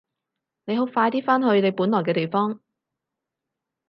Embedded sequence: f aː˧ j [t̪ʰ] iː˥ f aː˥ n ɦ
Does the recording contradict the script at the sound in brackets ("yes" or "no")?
yes